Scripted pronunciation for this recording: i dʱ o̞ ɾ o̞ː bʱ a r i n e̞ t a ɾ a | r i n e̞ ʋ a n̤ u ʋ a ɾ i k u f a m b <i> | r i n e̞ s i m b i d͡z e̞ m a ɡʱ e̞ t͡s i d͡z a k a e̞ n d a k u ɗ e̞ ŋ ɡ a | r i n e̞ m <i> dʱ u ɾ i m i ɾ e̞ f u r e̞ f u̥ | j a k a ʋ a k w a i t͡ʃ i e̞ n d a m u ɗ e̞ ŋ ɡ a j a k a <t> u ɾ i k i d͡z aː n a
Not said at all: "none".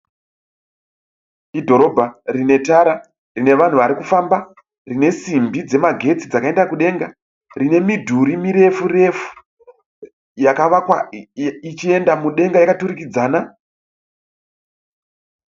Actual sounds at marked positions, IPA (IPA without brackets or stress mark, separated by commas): a, i, t